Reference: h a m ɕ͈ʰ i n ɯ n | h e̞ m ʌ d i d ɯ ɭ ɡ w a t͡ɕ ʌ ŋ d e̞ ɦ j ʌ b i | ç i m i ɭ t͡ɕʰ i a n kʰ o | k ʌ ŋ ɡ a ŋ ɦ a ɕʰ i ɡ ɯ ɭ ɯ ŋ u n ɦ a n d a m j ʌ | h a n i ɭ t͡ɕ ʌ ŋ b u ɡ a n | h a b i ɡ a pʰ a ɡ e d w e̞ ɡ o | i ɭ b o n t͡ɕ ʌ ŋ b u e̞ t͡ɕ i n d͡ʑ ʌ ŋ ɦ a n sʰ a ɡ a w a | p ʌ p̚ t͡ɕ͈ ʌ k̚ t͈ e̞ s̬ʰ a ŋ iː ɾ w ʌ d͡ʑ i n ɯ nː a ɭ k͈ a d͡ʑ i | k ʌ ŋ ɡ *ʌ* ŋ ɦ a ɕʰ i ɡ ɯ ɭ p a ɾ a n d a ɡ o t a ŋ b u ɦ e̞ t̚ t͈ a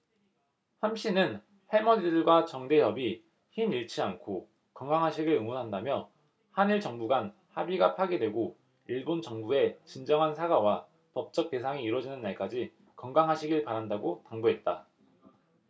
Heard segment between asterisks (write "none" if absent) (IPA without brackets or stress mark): a